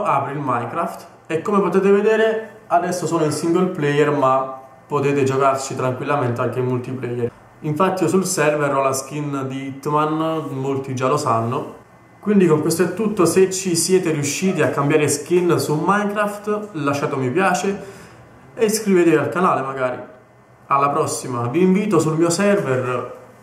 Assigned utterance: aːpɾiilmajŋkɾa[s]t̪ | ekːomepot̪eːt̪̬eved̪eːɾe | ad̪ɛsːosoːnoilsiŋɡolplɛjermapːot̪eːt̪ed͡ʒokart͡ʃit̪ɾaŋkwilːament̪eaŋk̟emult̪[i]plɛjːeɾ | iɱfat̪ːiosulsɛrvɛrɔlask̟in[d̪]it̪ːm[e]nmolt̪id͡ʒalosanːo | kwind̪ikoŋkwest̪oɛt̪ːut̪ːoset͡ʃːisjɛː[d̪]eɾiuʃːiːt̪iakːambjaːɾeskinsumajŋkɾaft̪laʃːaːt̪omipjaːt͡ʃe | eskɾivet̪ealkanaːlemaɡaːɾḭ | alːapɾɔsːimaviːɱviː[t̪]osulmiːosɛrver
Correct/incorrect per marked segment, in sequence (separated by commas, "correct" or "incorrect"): incorrect, correct, correct, incorrect, incorrect, correct